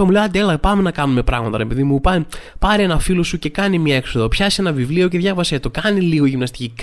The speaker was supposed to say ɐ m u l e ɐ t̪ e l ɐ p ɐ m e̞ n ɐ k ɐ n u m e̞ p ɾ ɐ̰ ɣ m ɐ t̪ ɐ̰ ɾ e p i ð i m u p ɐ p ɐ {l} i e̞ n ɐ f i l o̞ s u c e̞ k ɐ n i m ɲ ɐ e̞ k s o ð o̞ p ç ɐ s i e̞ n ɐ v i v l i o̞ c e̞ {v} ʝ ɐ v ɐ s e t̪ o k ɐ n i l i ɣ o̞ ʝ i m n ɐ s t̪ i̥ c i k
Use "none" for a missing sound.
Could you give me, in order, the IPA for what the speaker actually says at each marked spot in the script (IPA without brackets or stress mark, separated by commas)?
ɾ, ð